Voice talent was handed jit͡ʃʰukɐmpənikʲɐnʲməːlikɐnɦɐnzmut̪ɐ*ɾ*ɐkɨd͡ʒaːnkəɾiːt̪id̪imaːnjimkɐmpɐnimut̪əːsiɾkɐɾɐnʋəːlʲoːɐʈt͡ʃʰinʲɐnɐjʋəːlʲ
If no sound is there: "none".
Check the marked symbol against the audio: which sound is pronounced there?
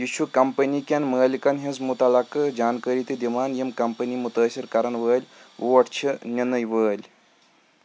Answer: l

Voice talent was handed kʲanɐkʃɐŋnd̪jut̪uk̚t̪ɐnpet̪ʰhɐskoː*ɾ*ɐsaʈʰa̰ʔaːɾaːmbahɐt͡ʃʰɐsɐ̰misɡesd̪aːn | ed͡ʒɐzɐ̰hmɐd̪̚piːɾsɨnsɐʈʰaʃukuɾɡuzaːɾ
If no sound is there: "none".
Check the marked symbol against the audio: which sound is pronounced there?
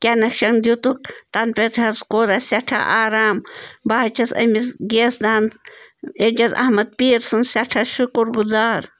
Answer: ɾ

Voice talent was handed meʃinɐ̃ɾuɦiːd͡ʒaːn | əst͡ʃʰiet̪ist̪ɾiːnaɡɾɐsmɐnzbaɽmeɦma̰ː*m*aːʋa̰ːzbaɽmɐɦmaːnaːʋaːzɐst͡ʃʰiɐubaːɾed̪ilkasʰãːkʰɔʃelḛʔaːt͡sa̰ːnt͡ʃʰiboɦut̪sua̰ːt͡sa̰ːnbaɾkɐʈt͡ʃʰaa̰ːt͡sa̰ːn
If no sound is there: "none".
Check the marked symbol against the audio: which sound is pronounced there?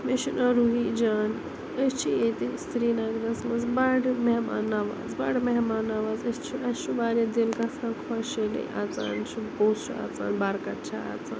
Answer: n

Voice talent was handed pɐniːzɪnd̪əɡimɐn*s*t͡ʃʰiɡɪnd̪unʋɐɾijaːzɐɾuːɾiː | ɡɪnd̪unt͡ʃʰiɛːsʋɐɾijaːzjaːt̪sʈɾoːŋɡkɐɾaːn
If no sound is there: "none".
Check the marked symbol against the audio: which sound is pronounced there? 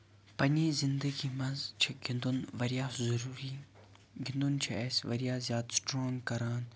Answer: z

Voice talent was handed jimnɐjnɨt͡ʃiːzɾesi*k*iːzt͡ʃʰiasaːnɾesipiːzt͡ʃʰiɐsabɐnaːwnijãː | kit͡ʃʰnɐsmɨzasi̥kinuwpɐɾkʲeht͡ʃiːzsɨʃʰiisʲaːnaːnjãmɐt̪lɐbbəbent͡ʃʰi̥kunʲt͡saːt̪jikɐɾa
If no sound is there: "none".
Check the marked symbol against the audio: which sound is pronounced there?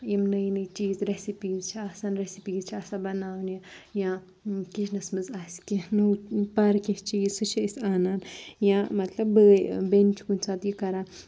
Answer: p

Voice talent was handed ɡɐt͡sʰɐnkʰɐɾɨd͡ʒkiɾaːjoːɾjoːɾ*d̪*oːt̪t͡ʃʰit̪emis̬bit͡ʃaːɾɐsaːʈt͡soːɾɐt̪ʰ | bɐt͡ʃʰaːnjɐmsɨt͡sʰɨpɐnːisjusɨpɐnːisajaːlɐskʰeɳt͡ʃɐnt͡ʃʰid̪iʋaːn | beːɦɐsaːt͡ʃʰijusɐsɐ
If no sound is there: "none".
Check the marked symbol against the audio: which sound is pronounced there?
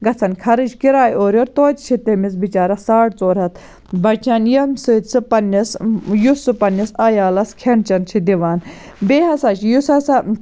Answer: t̪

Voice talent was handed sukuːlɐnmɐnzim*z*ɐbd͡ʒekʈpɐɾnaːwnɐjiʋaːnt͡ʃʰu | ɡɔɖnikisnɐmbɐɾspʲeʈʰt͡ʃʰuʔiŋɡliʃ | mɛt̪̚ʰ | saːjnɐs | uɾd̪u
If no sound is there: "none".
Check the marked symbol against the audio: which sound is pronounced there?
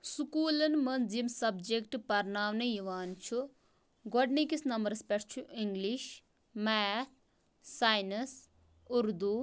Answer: s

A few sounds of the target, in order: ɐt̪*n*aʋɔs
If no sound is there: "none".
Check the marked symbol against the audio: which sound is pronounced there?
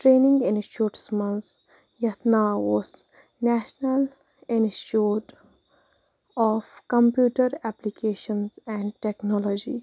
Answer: n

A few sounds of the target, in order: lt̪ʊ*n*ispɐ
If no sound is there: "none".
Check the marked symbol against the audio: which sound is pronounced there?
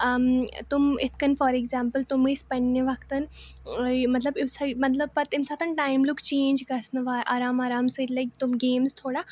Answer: m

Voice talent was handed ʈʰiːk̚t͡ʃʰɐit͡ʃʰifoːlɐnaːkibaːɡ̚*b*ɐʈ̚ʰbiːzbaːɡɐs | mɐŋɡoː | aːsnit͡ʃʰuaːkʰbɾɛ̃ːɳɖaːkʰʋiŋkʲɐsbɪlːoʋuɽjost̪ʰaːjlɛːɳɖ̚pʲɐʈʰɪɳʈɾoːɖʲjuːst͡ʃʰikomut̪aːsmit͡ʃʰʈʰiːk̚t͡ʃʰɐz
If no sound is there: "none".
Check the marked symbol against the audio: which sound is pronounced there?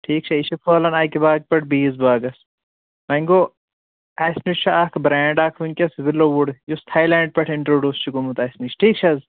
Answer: p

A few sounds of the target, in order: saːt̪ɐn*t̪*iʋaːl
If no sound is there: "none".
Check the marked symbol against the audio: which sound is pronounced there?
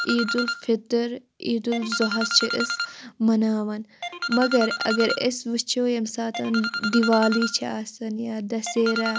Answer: d̪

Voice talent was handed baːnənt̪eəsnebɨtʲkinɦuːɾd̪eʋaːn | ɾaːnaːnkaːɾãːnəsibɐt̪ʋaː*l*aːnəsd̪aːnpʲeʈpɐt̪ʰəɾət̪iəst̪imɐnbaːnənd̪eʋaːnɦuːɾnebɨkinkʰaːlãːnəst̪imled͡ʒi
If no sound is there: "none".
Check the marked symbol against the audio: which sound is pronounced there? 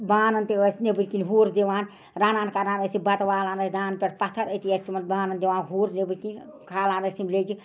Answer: l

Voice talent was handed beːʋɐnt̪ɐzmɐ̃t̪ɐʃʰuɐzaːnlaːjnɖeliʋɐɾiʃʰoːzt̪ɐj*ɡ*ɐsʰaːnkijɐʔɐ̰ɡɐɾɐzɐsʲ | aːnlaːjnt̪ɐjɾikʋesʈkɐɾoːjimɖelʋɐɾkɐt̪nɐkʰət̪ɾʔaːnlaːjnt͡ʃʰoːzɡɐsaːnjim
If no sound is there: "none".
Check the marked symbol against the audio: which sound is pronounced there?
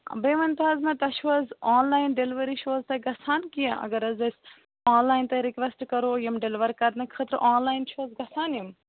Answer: ɡ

